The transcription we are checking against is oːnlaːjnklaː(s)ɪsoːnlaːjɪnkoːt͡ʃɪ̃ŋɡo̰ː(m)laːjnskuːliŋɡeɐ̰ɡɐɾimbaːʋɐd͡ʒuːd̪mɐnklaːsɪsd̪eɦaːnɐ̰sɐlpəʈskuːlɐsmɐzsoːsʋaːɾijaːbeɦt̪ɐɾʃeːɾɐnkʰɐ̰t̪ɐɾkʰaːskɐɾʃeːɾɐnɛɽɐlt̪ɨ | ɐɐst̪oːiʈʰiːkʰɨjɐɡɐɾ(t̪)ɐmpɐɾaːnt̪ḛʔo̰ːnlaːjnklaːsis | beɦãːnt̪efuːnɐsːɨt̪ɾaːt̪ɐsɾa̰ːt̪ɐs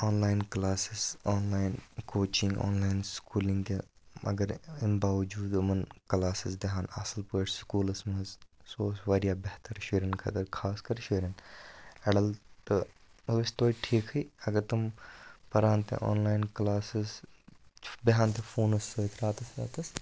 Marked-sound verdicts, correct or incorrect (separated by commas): correct, incorrect, correct